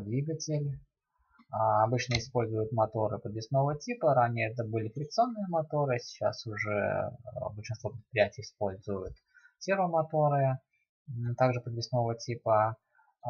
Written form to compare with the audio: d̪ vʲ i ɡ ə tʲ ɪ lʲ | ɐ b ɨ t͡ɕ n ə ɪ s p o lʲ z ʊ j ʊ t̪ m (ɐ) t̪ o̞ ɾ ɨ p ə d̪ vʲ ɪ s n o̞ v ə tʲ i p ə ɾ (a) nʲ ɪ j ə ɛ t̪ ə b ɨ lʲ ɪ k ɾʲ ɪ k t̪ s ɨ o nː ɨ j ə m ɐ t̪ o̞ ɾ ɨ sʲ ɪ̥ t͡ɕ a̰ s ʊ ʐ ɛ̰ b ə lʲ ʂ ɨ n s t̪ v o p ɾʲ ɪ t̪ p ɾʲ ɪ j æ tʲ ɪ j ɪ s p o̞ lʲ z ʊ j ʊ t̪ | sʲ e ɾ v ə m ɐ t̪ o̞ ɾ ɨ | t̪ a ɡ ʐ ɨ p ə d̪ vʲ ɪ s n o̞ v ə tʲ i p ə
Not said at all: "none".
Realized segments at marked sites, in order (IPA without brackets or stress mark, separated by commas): ɐ, a